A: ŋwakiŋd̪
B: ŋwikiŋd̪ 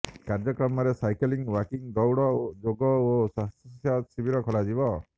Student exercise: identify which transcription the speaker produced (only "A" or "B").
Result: A